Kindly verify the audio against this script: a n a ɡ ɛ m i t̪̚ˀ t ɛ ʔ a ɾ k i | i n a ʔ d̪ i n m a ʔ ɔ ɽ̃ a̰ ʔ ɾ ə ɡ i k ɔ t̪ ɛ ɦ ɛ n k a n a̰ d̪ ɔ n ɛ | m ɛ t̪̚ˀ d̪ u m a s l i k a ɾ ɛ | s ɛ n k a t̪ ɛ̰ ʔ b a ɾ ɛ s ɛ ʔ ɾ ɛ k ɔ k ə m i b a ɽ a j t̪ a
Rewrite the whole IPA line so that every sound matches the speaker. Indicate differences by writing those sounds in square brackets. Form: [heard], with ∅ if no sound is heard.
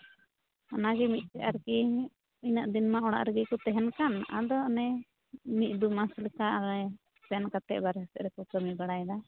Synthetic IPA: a n a ɡ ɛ m i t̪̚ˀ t ɛ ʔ a ɾ k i | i n a ʔ d̪ i n m a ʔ ɔ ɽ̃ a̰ ʔ ɾ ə ɡ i k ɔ t̪ ɛ ɦ ɛ n k a n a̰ d̪ ɔ n ɛ | m [i] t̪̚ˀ d̪ u m a s l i k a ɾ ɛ | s ɛ n k a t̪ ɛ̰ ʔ b a ɾ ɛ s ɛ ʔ ɾ ɛ k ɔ k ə m i b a ɽ a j [d̪] a